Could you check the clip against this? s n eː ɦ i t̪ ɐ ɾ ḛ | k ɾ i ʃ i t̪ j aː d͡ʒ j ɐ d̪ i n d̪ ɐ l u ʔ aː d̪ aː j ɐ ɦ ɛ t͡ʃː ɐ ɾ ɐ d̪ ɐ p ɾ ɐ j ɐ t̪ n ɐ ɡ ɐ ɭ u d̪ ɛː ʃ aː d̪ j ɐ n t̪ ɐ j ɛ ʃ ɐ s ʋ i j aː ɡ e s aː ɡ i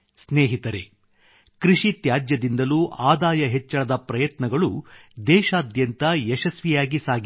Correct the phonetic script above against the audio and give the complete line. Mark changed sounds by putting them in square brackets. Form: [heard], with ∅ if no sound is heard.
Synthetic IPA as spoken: s n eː ɦ i t̪ ɐ ɾ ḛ | k ɾ i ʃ i t̪ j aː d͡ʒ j ɐ d̪ i n d̪ ɐ l u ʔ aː d̪ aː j ɐ ɦ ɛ t͡ʃː ɐ [ɭ] ɐ d̪ ɐ p ɾ ɐ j ɐ t̪ n ɐ ɡ ɐ ɭ u d̪ ɛː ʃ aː d̪ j ɐ n t̪ ɐ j ɛ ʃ ɐ s ʋ i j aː ɡ [i] s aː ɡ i